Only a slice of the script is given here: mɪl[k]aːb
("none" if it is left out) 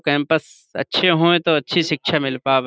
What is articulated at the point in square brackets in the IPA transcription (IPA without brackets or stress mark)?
p